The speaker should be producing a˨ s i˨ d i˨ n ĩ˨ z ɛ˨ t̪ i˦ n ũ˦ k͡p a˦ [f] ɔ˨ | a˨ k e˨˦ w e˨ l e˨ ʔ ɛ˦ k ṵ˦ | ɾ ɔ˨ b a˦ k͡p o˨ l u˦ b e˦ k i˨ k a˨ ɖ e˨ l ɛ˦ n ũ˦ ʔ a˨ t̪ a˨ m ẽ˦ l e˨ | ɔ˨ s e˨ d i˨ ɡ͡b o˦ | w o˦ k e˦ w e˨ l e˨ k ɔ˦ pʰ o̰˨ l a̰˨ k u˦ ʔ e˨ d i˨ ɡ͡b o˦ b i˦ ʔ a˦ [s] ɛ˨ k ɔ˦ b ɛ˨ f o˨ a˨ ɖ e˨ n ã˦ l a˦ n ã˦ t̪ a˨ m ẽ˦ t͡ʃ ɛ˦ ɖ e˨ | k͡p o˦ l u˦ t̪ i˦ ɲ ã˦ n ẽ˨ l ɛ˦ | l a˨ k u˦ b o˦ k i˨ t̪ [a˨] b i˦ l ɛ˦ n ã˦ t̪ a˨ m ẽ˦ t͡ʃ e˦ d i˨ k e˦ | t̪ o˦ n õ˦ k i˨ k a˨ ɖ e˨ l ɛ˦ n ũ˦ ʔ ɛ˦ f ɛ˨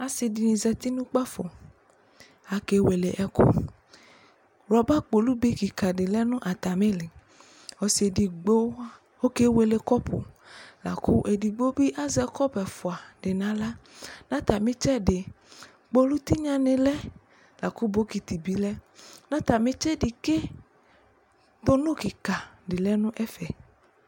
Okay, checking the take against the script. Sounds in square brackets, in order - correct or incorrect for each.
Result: correct, incorrect: z, incorrect: i˨

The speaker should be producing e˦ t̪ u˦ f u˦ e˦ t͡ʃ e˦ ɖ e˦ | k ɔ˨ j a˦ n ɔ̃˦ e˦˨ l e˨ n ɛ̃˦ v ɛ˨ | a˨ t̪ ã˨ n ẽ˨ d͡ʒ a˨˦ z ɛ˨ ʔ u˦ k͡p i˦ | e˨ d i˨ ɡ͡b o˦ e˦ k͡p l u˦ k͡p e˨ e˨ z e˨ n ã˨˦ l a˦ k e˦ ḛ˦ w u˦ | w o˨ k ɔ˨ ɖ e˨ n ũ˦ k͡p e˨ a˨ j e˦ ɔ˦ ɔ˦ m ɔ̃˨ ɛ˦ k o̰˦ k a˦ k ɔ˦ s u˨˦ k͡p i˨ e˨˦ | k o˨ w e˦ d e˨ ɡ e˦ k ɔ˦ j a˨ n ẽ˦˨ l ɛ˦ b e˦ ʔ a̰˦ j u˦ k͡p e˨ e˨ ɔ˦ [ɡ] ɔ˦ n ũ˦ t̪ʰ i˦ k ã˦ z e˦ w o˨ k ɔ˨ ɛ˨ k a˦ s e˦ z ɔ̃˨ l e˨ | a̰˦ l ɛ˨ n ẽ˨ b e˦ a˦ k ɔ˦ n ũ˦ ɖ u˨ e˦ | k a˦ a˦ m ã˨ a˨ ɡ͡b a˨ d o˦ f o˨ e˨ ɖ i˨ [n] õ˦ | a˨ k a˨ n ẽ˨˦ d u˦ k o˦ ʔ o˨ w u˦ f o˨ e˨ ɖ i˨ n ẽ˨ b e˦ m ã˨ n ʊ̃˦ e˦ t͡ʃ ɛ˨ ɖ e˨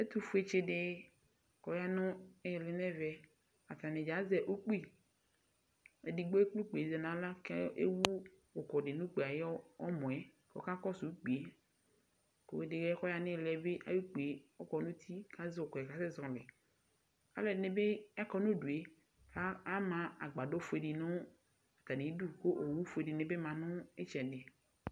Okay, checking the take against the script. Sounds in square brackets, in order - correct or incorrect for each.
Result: incorrect: k, correct

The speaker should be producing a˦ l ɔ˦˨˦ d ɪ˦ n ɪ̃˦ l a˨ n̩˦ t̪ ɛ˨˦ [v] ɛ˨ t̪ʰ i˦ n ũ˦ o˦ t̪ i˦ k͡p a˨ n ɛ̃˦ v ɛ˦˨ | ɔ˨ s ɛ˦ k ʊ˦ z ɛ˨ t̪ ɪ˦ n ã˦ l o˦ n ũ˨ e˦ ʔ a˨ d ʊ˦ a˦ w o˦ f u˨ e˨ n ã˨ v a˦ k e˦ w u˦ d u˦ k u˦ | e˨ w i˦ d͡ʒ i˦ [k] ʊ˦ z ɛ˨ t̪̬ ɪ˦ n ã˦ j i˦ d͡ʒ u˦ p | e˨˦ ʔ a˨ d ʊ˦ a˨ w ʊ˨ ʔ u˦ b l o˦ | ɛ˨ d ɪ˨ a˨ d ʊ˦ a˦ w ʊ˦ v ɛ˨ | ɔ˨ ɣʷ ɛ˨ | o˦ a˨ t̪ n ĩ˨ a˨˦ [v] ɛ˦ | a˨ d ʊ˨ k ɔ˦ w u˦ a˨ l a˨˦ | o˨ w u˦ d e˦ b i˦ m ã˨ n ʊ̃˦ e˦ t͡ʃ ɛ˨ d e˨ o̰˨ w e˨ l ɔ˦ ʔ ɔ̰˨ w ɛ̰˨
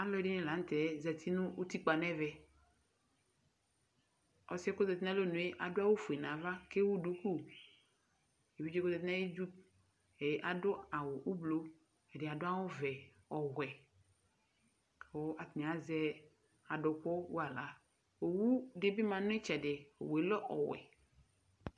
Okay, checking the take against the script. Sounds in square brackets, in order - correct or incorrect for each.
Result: incorrect: z, correct, incorrect: z

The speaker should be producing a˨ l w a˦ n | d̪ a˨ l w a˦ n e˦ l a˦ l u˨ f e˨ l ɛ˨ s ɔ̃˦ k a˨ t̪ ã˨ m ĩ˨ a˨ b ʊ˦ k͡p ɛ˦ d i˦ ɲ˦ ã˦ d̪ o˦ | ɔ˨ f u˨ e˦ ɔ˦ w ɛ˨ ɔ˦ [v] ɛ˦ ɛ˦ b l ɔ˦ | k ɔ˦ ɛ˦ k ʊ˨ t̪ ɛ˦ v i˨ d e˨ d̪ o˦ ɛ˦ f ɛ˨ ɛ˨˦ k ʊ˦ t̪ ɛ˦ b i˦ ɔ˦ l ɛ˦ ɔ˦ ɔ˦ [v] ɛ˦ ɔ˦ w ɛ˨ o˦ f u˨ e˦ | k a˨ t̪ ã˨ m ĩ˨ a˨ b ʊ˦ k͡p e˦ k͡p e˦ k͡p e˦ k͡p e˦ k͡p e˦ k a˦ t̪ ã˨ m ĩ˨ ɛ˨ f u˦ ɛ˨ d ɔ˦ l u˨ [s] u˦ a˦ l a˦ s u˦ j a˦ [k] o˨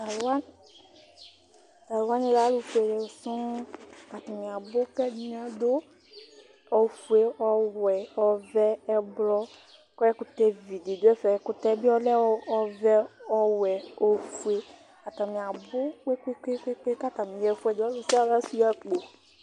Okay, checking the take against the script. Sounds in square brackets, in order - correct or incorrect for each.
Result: correct, correct, correct, incorrect: k͡p

